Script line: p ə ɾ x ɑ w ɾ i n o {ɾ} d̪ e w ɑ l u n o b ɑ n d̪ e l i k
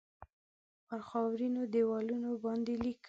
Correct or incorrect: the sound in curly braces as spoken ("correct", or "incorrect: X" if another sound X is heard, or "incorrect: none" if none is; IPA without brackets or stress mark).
incorrect: none